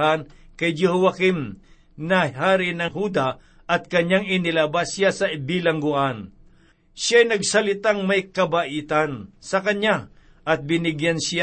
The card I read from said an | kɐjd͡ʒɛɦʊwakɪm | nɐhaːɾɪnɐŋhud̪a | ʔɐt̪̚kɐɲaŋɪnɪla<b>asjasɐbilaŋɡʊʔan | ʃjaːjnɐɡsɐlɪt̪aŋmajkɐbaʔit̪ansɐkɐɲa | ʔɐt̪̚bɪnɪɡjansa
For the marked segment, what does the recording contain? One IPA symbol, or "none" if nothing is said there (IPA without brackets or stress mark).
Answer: b